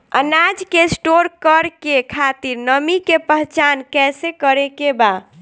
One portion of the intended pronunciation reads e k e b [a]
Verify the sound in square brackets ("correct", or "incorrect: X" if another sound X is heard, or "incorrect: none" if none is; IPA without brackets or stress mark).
correct